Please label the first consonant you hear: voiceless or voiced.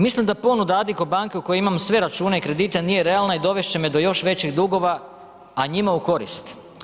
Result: voiced